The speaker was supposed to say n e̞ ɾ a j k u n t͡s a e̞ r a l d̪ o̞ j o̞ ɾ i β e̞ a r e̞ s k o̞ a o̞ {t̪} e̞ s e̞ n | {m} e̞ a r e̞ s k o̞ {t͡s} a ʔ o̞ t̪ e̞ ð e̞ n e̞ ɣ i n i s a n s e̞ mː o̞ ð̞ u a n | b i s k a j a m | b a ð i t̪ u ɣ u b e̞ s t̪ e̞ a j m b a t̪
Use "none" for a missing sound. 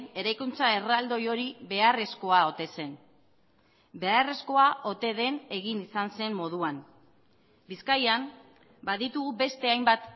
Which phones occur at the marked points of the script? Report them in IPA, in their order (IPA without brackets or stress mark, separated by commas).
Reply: t̪, b, none